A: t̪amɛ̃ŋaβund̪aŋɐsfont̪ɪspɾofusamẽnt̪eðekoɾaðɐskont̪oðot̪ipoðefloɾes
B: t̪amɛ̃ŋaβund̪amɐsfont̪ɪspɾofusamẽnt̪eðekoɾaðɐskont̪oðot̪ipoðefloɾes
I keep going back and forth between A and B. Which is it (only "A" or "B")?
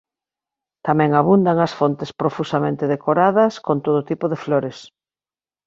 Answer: A